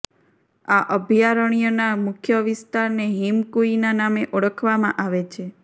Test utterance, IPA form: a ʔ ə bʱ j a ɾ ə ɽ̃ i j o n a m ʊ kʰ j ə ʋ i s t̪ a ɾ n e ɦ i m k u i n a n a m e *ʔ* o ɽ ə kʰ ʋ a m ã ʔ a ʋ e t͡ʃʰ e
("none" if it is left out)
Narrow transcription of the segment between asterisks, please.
ʔ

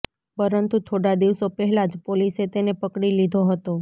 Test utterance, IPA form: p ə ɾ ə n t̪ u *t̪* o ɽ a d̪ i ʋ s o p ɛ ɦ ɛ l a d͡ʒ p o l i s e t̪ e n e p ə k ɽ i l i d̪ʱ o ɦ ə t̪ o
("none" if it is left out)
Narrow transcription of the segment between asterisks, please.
t̪ʰ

